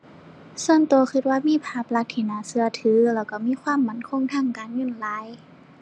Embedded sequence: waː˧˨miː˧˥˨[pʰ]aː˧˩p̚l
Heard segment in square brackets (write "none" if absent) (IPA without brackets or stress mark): pʰ